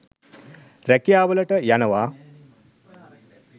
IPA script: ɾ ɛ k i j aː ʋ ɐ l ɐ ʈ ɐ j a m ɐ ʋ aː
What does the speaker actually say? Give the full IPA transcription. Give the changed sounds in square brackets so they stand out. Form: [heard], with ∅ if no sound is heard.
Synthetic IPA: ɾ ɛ k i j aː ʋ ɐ l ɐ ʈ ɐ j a [n] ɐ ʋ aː